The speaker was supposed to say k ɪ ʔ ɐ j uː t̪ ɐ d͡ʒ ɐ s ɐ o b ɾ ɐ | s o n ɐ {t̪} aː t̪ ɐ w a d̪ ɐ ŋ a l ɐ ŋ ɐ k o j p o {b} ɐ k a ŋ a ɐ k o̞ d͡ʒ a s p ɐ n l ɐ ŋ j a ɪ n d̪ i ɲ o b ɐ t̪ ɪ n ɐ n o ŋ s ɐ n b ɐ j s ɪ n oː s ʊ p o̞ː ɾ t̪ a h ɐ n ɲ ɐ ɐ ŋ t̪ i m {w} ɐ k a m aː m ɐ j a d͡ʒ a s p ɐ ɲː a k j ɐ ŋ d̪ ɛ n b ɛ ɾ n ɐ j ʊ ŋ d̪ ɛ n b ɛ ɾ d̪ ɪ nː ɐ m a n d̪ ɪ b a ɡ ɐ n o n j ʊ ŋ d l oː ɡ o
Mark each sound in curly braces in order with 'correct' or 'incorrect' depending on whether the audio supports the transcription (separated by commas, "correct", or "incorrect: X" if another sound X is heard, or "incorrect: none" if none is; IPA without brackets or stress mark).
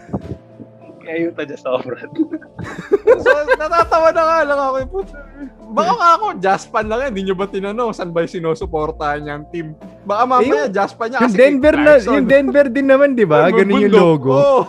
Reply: correct, correct, incorrect: b